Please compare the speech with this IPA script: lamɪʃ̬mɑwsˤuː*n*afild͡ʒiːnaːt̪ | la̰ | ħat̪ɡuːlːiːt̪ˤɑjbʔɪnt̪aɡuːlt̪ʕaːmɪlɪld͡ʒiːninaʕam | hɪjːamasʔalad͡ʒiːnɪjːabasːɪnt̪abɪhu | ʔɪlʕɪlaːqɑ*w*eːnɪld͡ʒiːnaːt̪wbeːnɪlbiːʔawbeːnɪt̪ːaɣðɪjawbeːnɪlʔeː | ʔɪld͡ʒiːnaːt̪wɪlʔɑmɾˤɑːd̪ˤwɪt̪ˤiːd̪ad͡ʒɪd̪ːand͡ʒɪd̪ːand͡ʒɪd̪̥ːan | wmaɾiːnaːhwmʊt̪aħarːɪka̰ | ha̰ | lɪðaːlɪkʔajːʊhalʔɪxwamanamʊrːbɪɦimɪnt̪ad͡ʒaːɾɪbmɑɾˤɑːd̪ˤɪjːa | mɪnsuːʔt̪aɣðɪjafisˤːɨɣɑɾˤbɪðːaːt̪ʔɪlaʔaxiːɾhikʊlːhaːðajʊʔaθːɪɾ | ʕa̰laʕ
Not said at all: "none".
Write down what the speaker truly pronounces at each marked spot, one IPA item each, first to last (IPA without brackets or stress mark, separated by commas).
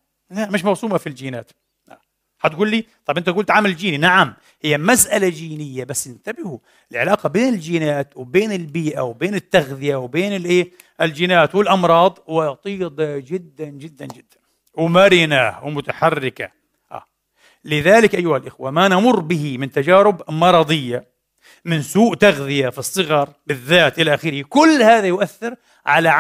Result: m, b